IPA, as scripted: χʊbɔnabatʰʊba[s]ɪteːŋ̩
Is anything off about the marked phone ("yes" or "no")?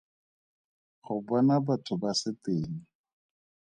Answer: no